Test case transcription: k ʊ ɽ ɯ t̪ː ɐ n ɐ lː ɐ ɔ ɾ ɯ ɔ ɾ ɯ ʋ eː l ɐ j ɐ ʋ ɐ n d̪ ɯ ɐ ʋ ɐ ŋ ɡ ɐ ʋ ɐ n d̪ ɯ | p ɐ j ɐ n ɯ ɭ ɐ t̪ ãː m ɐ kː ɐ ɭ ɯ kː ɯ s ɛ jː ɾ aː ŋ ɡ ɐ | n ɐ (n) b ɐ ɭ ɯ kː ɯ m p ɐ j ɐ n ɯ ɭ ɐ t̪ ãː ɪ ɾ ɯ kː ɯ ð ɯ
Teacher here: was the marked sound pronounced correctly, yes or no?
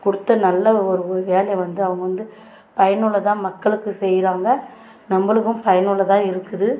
no